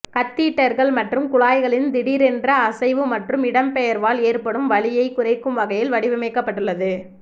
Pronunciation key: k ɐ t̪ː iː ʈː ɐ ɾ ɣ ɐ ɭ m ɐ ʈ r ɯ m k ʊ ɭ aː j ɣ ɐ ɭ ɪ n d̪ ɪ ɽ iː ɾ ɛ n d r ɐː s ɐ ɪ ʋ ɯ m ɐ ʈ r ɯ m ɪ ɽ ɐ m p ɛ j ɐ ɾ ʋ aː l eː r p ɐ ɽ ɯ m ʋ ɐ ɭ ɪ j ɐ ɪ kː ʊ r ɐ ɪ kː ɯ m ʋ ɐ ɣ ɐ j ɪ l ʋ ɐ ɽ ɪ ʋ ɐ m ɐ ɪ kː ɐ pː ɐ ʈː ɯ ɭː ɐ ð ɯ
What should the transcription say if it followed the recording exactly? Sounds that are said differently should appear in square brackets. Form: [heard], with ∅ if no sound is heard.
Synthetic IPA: k ɐ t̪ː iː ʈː ɐ ɾ ɣ ɐ ɭ m ɐ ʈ r ɯ m k ʊ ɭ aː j ɣ ɐ ɭ ɪ n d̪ ɪ ɽ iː ɾ ɛ n d r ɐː s ɐ ɪ ʋ ɯ m ɐ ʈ r ɯ m ɪ ɽ ɐ m p ɛ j ɐ ɾ ʋ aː l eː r p ɐ ɽ ɯ m ʋ ɐ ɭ ɪ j ɐ ɪ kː ʊ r ɐ ɪ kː ɯ m ʋ ɐ ɣ ɐ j ɪ l ʋ ɐ ɽ ɪ ʋ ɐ m ɐ ɪ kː ɐ pː ɐ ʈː ɯ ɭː ɐ ð ɯ